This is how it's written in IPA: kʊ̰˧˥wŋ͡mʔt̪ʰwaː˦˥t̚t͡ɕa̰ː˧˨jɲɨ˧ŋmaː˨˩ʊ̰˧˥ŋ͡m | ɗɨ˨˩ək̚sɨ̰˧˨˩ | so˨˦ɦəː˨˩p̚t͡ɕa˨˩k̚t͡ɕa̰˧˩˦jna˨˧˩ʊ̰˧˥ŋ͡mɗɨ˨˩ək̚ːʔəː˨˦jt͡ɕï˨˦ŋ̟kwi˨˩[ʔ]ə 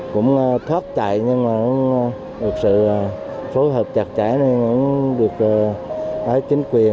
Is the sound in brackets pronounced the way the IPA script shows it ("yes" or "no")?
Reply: no